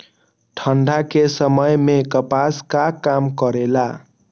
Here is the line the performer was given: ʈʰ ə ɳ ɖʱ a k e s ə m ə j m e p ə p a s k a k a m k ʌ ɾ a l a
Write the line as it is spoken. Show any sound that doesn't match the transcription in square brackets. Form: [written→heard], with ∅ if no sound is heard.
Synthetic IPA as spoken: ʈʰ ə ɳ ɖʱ a k e s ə m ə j m e [p→k] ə p a s k a k a m k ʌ ɾ [a→e] l a